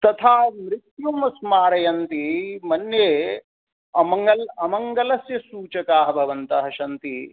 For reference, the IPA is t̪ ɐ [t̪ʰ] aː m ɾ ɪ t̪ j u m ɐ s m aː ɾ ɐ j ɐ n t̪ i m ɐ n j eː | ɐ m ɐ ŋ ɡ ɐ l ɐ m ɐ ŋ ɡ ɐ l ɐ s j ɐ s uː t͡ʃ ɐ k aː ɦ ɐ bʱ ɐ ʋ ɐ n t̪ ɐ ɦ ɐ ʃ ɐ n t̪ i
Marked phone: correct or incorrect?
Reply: correct